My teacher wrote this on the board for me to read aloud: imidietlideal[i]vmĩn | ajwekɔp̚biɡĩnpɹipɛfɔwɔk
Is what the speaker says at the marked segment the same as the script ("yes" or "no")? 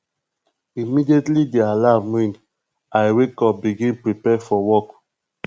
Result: no